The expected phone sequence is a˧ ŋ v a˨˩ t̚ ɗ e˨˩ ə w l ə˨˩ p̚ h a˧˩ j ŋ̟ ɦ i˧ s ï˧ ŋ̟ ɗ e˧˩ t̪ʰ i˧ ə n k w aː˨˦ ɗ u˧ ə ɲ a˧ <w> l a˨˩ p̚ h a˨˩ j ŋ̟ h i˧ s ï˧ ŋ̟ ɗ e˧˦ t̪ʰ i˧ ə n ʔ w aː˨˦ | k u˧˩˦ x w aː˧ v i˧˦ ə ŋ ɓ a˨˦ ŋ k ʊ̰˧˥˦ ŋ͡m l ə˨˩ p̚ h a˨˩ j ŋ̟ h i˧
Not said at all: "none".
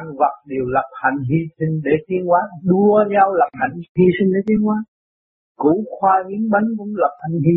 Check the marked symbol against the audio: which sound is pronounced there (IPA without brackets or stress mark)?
w